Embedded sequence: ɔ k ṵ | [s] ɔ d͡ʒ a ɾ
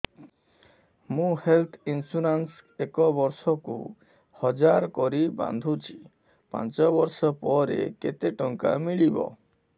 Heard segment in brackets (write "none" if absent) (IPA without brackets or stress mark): h